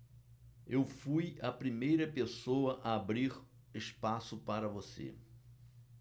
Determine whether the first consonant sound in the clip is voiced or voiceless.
voiced